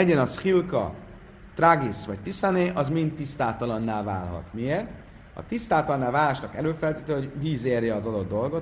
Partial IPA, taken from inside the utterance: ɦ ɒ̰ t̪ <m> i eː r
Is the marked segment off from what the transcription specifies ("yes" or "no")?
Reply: no